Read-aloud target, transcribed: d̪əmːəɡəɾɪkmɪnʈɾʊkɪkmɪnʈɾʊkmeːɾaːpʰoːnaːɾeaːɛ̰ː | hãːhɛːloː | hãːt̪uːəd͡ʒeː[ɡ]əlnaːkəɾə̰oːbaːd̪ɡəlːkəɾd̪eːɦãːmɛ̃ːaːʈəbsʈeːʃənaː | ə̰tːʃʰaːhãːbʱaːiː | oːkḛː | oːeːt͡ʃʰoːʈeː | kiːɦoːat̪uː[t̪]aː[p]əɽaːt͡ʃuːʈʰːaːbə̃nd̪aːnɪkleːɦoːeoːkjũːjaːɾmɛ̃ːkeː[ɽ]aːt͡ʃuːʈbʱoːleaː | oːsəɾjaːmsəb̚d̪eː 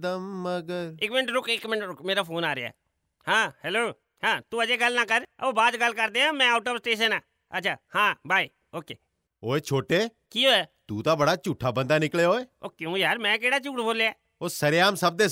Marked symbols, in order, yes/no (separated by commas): yes, yes, no, yes